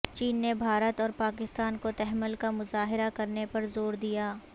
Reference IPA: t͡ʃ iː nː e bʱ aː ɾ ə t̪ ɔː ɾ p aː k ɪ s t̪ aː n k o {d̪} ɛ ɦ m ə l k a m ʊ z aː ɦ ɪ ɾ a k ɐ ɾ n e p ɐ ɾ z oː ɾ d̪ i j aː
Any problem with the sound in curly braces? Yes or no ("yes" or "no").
yes